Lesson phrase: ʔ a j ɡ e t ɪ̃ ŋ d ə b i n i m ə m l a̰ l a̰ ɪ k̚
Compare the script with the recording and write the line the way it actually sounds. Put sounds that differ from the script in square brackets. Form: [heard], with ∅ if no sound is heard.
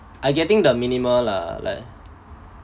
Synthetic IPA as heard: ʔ a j ɡ [ɛ] t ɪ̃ ŋ d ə [m] i n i m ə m l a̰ l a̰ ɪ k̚